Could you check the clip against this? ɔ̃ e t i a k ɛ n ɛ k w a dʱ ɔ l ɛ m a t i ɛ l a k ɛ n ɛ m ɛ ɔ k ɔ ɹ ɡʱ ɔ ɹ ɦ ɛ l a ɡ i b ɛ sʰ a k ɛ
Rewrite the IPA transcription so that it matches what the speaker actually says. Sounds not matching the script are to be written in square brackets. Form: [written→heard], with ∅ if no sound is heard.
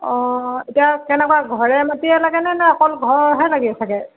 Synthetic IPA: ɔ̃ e t i a k ɛ n ɛ k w a [dʱ→ɡʱ] ɔ [l→ɹ] ɛ m a t i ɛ l a [k→ɡ] ɛ n ɛ [m→n] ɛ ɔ k ɔ [ɹ→l] ɡʱ ɔ ɹ ɦ ɛ l a ɡ i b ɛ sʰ a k ɛ